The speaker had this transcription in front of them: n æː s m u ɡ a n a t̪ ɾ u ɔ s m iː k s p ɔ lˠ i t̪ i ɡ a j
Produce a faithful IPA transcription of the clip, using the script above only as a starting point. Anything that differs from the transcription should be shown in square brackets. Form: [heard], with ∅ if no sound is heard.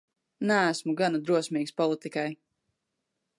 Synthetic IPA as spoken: n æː s m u ɡ a n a [d̪] ɾ u ɔ s m iː k s p ɔ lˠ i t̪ i [k] a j